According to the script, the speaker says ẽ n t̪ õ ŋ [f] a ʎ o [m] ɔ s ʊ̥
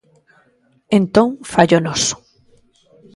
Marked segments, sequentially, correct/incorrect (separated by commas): correct, incorrect